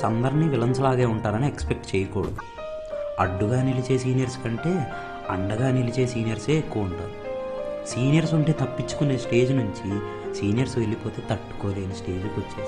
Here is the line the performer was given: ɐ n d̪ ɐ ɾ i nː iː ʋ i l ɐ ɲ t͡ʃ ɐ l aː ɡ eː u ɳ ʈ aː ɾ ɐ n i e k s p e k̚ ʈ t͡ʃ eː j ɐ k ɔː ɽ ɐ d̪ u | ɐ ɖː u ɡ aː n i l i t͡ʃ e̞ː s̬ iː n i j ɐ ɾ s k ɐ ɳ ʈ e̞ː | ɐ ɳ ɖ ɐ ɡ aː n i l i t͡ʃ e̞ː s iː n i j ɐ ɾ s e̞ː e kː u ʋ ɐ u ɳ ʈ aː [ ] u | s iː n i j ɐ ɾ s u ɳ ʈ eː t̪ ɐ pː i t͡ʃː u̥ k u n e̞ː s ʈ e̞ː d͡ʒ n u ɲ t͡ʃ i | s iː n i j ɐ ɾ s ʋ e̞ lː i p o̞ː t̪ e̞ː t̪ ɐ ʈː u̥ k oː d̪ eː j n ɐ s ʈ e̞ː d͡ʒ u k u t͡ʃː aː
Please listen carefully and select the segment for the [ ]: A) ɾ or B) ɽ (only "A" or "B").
A